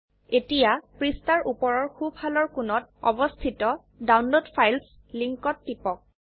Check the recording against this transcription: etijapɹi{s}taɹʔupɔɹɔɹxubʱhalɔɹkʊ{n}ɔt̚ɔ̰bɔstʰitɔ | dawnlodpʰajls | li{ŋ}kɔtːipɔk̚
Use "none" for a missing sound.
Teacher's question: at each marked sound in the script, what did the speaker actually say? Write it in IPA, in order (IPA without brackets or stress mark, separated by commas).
s, n, ŋ